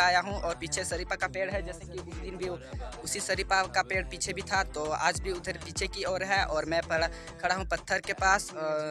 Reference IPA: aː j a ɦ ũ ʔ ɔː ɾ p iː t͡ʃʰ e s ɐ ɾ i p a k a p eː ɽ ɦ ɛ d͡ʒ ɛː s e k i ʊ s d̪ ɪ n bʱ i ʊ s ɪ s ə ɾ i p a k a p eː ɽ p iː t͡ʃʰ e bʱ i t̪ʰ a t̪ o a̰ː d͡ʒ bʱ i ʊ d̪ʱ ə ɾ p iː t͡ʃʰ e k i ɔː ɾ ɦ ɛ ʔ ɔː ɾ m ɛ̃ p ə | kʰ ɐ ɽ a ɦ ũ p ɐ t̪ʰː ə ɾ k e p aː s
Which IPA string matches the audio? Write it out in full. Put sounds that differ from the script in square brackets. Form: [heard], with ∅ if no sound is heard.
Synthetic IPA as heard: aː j a ɦ ũ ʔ ɔː ɾ p iː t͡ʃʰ e s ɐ ɾ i p a k a p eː ɽ ɦ ɛ d͡ʒ ɛː s e k i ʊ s d̪ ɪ n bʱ i ʊ s [i] s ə ɾ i p a k a p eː ɽ p iː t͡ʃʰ e bʱ i t̪ʰ a t̪ o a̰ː d͡ʒ bʱ i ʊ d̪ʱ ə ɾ p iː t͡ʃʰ e k i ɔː ɾ ɦ ɛ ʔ ɔː ɾ m ɛ̃ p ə | kʰ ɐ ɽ a ɦ ũ p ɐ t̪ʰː ə ɾ k e p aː s

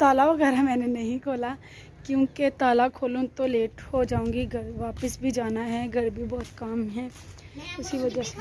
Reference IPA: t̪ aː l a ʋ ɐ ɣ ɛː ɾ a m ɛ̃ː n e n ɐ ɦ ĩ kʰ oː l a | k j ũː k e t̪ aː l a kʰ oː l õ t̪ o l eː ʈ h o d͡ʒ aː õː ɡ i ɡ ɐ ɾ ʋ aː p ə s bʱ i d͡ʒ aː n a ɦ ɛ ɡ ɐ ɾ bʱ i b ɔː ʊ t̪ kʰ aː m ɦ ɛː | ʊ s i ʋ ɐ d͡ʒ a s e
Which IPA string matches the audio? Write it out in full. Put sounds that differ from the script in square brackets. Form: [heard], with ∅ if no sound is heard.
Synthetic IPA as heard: t̪ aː l a ʋ ɐ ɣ ɛː ɾ a m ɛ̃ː n e n ɐ ɦ ĩ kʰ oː l a | k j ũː k e t̪ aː l a kʰ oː l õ t̪ o l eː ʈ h o d͡ʒ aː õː ɡ i ɡ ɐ ɾ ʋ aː p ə s bʱ i d͡ʒ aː n a ɦ ɛ ɡ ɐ ɾ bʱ i b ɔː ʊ t̪ [k] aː m ɦ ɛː | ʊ s i ʋ ɐ d͡ʒ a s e

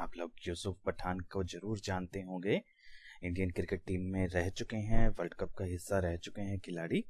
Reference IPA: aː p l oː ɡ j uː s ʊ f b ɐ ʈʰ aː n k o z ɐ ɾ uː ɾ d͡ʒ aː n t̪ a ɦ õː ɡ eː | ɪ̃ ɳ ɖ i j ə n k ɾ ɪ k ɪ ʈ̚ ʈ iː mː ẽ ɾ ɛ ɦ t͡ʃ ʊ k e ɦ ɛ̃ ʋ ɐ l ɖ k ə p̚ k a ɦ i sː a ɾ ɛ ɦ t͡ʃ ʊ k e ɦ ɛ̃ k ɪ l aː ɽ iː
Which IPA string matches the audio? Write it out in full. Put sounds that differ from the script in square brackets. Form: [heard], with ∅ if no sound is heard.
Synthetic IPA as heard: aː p l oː ɡ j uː s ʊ f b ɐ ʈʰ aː n k o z ɐ ɾ uː ɾ d͡ʒ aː n t̪ [e] ɦ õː ɡ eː | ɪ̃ ɳ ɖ i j ə n k ɾ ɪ k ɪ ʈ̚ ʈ iː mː ẽ ɾ ɛ ɦ t͡ʃ ʊ k e ɦ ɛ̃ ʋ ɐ l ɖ k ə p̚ k a ɦ [ɪ] sː a ɾ ɛ ɦ t͡ʃ ʊ k e ɦ ɛ̃ k ɪ l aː ɽ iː

